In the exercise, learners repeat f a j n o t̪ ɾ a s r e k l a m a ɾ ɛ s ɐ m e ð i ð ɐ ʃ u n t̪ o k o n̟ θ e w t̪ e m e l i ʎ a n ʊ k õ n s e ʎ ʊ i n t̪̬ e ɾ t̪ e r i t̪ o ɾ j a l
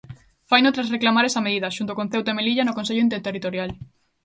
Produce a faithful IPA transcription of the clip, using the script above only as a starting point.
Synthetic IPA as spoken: f a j n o t̪ ɾ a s r e k l a m a ɾ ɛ s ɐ m e ð i ð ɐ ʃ u n t̪ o k o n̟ θ e w t̪ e m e l i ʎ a n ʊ k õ n s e ʎ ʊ i n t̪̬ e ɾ t̪ e r i t̪ o ɾ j a l